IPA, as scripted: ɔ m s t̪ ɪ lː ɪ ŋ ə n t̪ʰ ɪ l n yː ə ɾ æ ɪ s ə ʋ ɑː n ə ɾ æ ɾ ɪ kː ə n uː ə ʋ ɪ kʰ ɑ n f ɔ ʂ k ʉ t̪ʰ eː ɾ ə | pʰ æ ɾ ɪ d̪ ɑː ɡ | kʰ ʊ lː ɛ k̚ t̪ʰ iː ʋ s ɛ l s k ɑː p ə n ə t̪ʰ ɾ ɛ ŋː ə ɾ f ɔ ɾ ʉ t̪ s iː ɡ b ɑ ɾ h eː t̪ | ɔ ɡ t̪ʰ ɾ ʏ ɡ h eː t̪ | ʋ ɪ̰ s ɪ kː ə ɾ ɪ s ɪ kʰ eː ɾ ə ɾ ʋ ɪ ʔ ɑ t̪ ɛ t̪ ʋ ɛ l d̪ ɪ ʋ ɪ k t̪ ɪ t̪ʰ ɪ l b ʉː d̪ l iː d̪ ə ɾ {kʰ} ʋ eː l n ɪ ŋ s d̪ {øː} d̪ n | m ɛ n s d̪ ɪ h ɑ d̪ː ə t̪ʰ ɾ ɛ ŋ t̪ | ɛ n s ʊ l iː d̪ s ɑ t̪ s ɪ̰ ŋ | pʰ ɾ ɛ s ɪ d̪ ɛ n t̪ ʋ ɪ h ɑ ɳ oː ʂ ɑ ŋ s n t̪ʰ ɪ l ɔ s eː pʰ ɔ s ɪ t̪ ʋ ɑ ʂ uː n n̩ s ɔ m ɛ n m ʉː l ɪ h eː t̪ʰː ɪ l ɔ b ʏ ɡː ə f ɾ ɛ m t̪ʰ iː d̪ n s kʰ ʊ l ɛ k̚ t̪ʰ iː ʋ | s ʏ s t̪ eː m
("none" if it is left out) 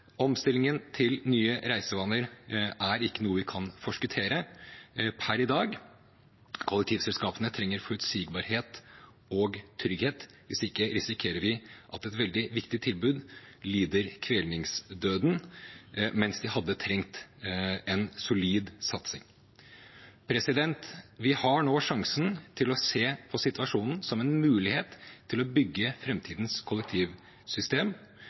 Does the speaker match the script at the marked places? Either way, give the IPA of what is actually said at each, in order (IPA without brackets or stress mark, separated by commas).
kʰ, øː